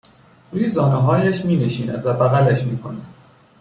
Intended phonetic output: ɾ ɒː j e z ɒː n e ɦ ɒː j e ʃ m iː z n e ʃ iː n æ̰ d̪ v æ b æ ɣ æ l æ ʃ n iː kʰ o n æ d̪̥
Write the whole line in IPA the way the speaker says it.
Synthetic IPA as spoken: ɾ uː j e z ɒː n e ɦ ɒː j æ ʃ m iː n e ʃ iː n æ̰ d̪ v æ b æ ɣ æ l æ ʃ m iː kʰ o n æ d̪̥